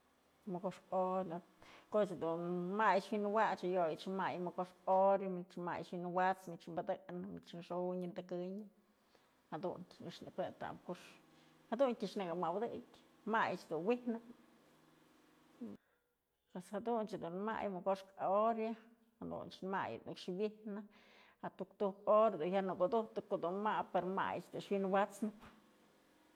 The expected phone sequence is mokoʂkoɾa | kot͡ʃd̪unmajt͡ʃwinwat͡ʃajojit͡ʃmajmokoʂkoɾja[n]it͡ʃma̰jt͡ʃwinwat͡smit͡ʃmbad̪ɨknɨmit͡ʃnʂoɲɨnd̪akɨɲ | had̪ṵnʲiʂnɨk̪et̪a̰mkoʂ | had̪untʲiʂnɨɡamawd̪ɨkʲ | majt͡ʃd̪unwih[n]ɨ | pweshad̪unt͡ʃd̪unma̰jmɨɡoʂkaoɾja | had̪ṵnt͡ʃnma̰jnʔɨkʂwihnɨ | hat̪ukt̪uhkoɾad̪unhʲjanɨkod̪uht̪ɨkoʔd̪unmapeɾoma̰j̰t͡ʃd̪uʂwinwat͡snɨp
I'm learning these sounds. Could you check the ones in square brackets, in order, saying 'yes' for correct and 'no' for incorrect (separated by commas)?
no, yes